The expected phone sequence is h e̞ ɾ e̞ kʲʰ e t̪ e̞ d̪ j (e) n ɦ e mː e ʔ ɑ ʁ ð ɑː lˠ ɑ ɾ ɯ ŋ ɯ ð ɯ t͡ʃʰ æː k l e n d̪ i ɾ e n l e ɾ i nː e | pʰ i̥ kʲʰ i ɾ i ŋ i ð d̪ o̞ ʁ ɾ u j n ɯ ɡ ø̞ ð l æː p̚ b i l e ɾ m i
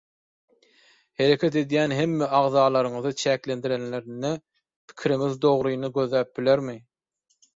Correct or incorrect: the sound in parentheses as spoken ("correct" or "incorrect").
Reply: incorrect